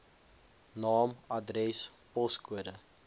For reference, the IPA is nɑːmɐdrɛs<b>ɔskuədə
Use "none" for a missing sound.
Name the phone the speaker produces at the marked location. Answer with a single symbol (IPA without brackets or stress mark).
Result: p